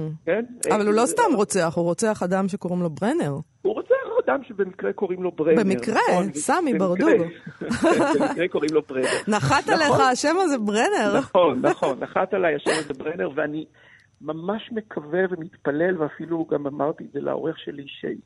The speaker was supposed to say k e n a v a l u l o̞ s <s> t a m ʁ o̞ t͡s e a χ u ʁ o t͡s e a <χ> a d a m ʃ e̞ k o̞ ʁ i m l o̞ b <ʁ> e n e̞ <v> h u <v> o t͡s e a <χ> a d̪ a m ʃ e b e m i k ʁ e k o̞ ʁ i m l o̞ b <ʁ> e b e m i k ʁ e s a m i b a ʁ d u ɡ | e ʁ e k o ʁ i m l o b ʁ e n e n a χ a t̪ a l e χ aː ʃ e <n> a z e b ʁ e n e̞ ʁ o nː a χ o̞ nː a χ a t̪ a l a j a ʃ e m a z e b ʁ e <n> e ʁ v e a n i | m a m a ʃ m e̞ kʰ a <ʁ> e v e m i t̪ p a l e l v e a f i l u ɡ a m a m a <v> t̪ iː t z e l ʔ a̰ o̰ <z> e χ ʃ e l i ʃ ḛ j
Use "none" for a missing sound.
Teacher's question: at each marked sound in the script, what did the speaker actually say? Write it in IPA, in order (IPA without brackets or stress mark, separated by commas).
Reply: s, χ, ʁ, ʁ, ʁ, χ, ʁ, m, n, v, ʁ, ʁ